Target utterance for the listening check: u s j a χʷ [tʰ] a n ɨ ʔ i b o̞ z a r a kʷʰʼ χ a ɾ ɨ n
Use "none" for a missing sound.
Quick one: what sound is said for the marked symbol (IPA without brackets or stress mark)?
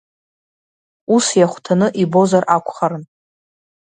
tʰ